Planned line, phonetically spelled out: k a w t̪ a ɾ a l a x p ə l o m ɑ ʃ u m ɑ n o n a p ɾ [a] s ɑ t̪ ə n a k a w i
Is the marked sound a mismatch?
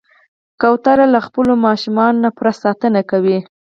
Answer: no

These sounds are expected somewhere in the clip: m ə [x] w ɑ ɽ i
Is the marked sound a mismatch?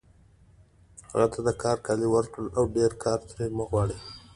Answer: yes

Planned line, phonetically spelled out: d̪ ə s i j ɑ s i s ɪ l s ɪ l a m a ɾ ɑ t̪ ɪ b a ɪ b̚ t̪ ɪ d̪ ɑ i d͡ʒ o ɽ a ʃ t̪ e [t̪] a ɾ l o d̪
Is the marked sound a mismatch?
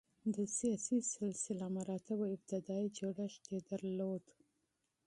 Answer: yes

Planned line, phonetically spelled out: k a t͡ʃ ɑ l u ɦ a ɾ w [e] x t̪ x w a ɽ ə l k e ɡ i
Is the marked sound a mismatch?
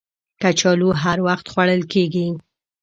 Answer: yes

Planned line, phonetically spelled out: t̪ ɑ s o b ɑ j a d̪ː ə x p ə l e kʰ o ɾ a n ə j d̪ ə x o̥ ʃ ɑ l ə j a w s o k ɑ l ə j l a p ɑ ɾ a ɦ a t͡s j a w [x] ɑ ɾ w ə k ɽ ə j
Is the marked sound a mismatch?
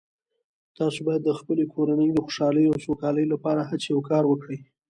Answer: yes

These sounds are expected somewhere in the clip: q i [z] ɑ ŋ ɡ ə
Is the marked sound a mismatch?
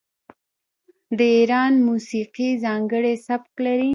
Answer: no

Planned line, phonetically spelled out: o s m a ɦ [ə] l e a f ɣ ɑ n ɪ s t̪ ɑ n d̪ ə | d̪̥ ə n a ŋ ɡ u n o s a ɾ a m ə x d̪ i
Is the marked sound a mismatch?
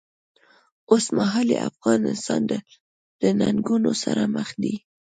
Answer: yes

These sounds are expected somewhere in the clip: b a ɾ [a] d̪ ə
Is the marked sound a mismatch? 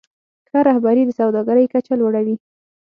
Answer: yes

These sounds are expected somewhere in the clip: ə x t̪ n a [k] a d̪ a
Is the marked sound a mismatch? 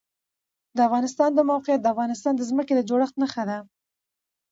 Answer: yes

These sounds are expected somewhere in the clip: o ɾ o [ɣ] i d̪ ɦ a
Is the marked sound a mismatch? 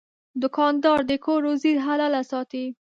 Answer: yes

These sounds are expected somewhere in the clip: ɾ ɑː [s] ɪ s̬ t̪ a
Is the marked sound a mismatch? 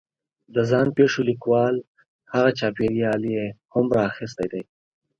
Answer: yes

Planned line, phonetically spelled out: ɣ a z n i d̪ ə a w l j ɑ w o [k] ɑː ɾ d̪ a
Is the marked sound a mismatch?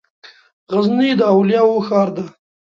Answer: yes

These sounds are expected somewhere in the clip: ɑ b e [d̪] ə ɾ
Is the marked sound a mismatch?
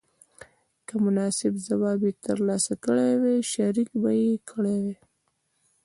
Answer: yes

